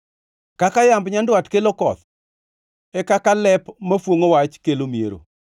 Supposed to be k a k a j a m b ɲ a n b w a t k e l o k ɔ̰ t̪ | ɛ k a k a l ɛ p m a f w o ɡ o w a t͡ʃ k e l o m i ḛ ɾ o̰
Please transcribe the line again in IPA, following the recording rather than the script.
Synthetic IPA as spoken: k a k a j a m b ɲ a n d w a t k e l o k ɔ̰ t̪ | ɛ k a k a l ɛ p m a f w o ŋ o w a t͡ʃ k e l o m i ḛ ɾ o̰